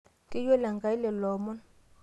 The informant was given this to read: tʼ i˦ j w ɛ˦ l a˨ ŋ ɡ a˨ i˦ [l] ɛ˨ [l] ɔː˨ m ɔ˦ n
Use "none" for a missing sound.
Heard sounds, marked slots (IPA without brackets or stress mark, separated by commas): l, l